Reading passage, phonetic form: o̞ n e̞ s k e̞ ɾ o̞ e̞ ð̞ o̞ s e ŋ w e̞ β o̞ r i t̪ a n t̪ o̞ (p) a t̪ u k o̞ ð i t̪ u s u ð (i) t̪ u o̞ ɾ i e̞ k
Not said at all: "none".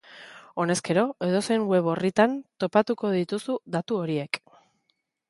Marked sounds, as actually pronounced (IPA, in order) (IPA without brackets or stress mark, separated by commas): p, a